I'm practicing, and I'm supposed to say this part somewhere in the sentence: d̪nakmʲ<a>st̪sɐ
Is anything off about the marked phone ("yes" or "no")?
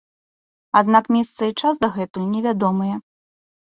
yes